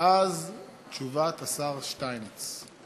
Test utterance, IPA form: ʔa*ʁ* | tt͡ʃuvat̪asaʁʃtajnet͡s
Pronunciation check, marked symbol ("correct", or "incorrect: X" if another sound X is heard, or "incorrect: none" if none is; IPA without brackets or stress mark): incorrect: z